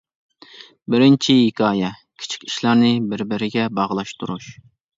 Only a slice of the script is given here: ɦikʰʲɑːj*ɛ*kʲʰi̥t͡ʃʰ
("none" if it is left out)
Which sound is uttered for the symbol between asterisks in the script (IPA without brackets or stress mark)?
ɛ